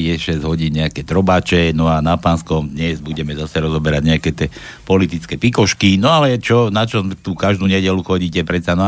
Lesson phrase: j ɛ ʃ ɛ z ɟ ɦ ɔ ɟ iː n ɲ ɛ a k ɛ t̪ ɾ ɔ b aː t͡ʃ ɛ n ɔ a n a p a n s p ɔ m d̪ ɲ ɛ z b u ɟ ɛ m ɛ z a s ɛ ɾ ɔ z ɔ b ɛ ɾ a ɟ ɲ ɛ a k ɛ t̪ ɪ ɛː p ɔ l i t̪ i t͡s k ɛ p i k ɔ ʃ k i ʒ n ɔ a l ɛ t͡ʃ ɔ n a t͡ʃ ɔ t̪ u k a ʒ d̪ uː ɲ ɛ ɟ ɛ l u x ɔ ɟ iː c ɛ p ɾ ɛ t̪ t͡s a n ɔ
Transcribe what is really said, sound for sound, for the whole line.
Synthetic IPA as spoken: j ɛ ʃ ɛ z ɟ ɦ ɔ ɟ iː n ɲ ɛ a k ɛ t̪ ɾ ɔ b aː t͡ʃ ɛ n ɔ a n a p a n s k ɔ m d̪ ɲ ɛ z b u ɟ ɛ m ɛ z a s ɛ ɾ ɔ z ɔ b ɛ ɾ a ɟ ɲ ɛ a k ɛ t̪ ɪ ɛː p ɔ l i t̪ i t͡s k ɛ p i k ɔ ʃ k i n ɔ a l ɛ t͡ʃ ɔ n a t͡ʃ ɔ t̪ u k a ʒ d̪ uː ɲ ɛ ɟ ɛ l u x ɔ ɟ iː c ɛ p ɾ ɛ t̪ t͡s a n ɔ